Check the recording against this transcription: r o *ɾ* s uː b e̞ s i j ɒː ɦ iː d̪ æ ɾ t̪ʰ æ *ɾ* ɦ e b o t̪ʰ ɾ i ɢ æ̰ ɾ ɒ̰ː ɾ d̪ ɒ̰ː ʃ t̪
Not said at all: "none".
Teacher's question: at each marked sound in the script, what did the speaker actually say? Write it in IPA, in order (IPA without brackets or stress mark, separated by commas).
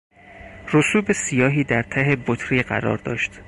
none, none